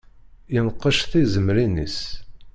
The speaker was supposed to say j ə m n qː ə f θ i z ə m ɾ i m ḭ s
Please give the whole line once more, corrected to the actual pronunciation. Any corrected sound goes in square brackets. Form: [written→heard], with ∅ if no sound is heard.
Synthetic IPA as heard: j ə [m→∅] n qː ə [f→ʃ] θ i z ə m ɾ i [m→n] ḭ s